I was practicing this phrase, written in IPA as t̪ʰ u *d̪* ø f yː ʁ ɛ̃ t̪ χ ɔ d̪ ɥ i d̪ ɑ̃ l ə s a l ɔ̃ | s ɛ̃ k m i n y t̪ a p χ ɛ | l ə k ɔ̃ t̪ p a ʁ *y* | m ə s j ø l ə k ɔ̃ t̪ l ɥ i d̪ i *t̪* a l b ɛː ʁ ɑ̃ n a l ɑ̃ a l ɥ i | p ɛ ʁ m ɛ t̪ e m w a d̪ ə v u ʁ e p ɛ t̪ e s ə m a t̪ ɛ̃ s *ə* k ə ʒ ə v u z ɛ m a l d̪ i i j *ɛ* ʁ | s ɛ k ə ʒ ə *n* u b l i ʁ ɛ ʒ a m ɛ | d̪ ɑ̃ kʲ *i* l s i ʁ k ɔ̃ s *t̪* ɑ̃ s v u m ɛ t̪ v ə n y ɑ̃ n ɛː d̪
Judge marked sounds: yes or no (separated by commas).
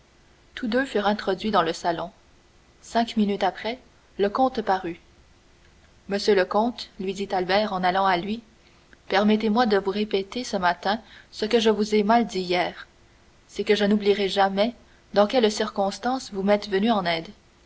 yes, yes, yes, yes, no, yes, no, yes